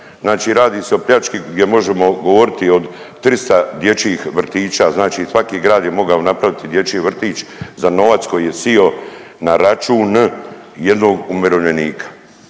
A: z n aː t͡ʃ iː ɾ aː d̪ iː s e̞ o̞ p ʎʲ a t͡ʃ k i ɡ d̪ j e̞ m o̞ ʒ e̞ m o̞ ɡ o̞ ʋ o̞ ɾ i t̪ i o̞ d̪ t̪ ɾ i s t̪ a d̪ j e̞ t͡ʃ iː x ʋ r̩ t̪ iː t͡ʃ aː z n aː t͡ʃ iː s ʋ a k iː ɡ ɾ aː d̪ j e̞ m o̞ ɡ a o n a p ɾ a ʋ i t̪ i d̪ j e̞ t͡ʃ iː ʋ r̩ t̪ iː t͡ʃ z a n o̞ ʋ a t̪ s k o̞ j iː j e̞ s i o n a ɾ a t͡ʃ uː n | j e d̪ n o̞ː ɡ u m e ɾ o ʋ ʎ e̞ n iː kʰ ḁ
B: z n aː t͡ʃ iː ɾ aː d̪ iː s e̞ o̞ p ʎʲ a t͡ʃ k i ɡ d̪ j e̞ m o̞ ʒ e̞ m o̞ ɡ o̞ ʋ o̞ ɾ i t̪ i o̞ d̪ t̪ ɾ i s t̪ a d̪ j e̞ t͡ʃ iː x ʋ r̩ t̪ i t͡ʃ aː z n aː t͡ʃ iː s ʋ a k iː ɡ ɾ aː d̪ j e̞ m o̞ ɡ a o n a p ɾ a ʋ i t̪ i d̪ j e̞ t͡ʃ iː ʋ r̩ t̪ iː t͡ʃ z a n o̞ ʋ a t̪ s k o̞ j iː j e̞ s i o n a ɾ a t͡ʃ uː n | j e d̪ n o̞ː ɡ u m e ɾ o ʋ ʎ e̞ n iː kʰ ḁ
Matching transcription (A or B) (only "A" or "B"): A